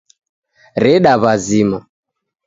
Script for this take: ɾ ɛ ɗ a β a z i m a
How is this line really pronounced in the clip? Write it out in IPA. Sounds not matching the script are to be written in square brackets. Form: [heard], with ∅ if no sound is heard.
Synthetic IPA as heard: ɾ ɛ ɗ a β a z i m a